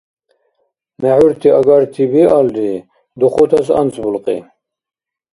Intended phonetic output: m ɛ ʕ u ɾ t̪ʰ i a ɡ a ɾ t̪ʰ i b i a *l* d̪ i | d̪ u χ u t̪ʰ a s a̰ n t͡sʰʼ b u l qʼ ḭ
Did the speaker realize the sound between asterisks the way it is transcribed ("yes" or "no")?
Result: yes